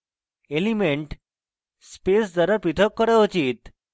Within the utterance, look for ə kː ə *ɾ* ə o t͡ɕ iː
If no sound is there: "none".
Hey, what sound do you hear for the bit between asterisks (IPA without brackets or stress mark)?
ɾ